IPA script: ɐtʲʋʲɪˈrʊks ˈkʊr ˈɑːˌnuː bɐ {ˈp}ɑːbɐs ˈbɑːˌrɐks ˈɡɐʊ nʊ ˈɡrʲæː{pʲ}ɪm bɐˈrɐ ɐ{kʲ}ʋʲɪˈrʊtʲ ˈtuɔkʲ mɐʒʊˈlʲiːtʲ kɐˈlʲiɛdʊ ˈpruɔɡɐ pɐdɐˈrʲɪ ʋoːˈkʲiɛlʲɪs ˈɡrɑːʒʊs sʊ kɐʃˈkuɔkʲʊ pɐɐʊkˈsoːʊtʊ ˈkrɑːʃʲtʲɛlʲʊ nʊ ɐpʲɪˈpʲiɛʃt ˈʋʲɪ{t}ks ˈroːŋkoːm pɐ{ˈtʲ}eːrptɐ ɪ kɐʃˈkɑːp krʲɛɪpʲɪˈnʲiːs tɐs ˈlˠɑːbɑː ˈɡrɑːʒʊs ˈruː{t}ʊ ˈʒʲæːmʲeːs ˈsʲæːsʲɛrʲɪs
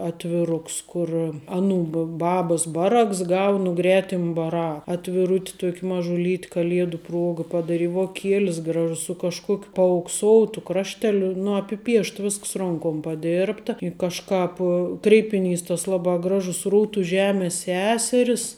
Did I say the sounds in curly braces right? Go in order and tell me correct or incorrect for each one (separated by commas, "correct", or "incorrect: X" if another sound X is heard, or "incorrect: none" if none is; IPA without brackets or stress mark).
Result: incorrect: b, incorrect: tʲ, incorrect: tʲ, incorrect: s, incorrect: dʲ, correct